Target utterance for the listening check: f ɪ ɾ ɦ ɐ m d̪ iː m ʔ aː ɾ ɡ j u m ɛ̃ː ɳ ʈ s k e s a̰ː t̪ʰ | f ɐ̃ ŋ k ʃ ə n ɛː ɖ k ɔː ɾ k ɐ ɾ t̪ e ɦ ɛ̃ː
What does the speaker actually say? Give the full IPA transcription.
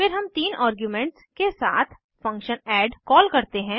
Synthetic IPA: f ɪ ɾ ɦ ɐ m t̪ iː n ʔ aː ɾ ɡ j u m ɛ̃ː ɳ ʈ s k e s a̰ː t̪ʰ | f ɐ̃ ŋ k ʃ ə n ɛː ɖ k ɔː l k ɐ ɾ t̪ e ɦ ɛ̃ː